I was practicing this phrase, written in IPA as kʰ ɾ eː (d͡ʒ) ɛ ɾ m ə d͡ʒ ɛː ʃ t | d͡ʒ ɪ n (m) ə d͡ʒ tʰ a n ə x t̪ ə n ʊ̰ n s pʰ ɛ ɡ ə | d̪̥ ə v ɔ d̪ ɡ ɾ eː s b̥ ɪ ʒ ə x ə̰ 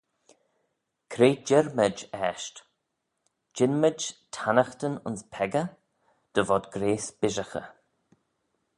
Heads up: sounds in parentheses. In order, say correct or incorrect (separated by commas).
correct, correct